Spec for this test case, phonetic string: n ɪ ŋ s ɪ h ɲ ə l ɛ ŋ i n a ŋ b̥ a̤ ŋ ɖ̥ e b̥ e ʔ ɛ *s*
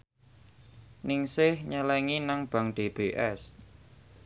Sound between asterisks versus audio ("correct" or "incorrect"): correct